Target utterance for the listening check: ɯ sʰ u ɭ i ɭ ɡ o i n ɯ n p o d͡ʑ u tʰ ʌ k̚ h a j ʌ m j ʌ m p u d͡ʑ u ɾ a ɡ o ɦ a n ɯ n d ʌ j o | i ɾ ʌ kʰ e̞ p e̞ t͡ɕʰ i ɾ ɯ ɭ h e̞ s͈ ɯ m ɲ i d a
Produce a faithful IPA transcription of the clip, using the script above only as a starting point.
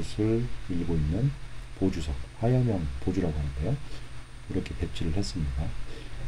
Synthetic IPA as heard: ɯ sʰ ɯ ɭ i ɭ ɡ o i nː ɯ n p o d͡ʑ u sʰ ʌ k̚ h a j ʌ m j ʌ ŋ p o d͡ʑ u ɾ a ɡ o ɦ a n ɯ n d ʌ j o | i ɾ ʌ kʰ e̞ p e̞ t͡ɕʰ i ɾ ɯ ɭ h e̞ s͈ ɯ m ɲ i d a